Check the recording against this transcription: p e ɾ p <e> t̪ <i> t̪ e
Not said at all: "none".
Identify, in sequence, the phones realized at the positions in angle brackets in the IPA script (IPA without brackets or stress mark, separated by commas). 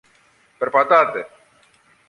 a, a